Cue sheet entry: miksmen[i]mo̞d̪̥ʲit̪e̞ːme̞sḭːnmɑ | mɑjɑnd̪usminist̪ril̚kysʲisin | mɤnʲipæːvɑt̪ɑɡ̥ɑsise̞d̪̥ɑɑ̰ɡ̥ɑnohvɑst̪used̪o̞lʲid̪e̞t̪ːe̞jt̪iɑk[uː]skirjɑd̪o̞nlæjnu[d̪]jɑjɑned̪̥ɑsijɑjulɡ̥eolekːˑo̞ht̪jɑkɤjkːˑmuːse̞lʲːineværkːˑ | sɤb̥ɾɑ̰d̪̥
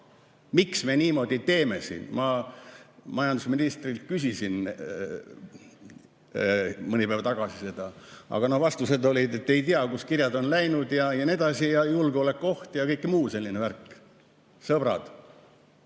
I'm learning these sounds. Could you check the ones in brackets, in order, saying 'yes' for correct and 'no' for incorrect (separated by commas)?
no, no, yes